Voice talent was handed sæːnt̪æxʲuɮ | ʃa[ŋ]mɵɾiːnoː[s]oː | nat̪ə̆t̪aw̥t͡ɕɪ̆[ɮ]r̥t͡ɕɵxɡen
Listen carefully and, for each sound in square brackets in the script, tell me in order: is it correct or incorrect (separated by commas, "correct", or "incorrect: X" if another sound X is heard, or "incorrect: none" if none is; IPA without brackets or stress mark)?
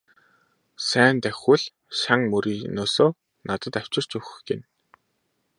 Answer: correct, correct, incorrect: none